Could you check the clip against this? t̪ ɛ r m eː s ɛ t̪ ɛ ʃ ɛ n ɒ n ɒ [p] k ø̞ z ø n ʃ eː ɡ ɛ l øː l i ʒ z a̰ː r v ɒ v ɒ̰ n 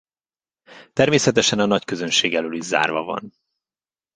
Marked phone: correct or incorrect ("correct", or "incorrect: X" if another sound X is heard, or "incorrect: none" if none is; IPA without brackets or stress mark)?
incorrect: c